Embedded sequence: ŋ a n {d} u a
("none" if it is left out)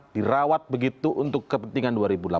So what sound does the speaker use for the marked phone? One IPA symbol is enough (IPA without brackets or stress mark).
d